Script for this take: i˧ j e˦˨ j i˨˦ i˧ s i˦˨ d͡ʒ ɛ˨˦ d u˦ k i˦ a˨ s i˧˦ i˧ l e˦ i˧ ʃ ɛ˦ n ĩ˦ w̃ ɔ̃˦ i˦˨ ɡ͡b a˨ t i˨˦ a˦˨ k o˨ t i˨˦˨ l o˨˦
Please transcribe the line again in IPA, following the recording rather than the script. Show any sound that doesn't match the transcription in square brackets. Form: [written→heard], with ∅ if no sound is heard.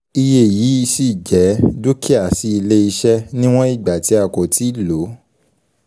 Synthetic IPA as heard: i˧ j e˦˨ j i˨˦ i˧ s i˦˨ d͡ʒ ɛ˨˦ d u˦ k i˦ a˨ s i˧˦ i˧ l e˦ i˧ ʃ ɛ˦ n ĩ˦ w̃ ɔ̃˦ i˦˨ ɡ͡b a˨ t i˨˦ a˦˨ k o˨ t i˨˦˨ l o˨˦